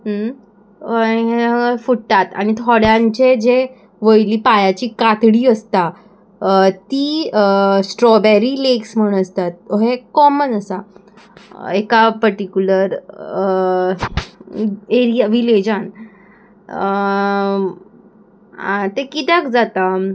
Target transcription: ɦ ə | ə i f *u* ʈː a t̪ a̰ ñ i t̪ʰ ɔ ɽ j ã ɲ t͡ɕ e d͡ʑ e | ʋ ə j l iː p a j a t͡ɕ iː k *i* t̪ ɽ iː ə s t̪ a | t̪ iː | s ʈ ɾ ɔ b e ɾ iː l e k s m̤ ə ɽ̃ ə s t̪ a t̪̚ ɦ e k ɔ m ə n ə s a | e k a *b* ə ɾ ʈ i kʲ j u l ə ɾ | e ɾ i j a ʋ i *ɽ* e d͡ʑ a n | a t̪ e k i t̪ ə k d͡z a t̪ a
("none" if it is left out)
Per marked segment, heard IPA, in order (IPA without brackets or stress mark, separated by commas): u, a, p, l